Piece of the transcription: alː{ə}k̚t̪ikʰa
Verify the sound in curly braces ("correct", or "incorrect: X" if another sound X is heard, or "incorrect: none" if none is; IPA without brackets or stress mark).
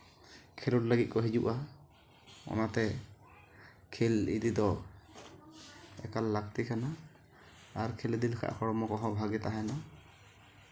incorrect: a